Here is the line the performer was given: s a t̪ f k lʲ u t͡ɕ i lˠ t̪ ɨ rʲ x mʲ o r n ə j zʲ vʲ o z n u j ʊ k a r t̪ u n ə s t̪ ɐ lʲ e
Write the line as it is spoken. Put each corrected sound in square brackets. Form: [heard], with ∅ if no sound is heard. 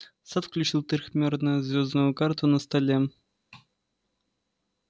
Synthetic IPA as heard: s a t̪ f k lʲ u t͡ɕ i lˠ t̪ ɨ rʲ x mʲ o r n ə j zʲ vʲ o z n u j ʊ k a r t̪ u n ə s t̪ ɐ lʲ e